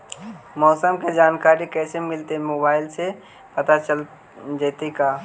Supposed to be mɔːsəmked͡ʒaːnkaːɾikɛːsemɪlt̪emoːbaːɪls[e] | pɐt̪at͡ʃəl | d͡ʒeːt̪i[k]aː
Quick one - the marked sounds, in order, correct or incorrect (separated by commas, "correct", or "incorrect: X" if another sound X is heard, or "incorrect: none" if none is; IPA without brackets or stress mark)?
correct, correct